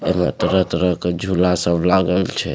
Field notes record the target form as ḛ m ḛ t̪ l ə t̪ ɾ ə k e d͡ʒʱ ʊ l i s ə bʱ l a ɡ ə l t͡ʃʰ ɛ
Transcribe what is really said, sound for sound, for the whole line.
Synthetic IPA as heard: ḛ m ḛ t̪ ɾ ə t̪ ɾ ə k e d͡ʒʱ u l a s ə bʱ l a ɡ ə l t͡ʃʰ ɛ